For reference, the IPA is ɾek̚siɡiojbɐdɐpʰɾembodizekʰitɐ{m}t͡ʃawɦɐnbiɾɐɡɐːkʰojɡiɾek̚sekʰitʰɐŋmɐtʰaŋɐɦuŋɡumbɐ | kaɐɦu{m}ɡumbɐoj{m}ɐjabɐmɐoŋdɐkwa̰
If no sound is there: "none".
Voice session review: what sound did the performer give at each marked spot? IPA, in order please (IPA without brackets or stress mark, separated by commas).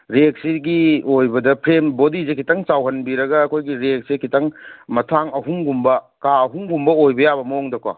ŋ, ŋ, b